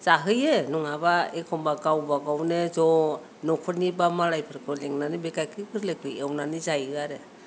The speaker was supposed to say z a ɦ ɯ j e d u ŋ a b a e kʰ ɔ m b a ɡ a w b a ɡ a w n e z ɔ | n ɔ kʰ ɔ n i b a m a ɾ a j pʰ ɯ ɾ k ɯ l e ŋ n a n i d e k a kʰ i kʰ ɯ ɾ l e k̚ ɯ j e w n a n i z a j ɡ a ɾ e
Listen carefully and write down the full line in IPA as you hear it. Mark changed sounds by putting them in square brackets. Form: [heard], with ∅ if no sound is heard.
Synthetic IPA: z a ɦ ɯ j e [n] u ŋ a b a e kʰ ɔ m b a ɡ a w b a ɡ a w n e z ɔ | n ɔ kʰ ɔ n i b a m a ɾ a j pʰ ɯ ɾ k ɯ l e ŋ n a n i [b] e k a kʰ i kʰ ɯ ɾ l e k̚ ɯ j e w n a n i z a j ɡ a ɾ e